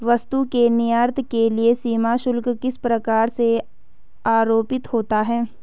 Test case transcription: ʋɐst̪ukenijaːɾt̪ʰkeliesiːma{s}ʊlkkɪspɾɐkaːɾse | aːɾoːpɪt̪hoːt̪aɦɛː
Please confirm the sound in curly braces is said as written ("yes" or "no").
no